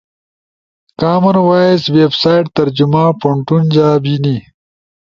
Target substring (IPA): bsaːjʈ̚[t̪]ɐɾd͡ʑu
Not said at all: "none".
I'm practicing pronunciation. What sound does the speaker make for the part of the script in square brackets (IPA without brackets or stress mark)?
t̪